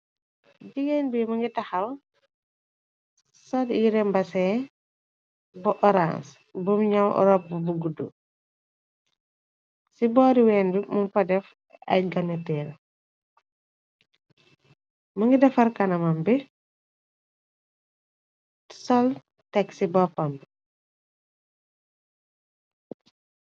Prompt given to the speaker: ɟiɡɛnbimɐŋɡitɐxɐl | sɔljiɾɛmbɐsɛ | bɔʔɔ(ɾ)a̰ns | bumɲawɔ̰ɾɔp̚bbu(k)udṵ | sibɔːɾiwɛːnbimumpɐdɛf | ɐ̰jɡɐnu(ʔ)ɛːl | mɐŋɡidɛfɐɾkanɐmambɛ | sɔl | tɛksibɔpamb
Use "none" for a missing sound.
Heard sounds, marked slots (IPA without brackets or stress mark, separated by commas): ɾ, ɡ, t